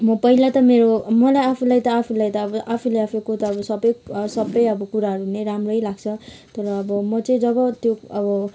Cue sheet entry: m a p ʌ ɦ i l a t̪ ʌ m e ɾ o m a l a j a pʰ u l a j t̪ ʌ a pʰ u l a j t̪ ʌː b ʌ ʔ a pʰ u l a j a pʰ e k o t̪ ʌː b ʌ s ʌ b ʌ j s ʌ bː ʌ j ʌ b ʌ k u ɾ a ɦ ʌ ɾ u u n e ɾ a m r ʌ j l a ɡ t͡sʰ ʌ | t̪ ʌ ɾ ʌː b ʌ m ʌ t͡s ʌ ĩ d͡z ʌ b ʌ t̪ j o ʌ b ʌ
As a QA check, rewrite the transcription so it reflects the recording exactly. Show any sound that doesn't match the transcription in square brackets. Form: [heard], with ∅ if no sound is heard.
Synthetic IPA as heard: m [ʌ] p ʌ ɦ i l a t̪ ʌ m e ɾ o m [ʌ] l a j a pʰ u l a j t̪ ʌ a pʰ u l a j t̪ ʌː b ʌ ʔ a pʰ u l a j a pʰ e k o t̪ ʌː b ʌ s ʌ b ʌ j s ʌ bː ʌ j ʌ b ʌ k u ɾ a ɦ ʌ ɾ u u n e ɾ a m r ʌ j l a ɡ t͡sʰ ʌ | t̪ ʌ ɾ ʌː b ʌ m ʌ t͡s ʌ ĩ d͡z ʌ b ʌ t̪ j o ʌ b ʌ